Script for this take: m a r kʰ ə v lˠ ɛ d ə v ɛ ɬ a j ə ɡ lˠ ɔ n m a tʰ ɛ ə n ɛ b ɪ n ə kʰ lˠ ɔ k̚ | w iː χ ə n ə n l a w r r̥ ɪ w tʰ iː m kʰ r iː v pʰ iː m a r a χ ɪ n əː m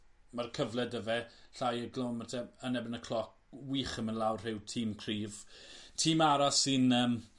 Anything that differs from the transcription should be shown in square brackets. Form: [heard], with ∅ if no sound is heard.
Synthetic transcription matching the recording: m a r kʰ ə v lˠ ɛ d ə v ɛ ɬ a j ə ɡ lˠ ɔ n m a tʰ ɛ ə n ɛ b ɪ n ə kʰ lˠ ɔ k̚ | w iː χ ə [m] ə n l a w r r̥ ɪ w tʰ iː m kʰ r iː v [tʰ] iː m a [ɾ] a [s] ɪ n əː m